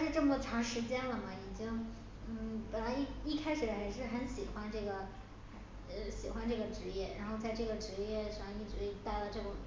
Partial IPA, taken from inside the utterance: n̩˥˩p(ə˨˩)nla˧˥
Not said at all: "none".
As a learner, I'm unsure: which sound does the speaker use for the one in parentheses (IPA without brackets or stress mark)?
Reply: ə˨˩